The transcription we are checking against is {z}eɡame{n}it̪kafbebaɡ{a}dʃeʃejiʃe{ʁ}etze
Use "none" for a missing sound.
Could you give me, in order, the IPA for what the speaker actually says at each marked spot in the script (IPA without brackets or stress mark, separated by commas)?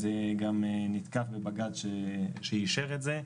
z, n, a, ʁ